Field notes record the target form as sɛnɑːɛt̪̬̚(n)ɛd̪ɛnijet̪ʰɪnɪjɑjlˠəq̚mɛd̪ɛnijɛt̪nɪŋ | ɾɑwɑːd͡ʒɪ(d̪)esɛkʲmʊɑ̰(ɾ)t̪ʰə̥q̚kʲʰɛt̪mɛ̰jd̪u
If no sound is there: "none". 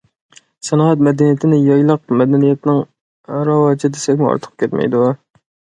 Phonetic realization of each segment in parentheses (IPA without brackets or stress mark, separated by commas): m, d̪, ɾ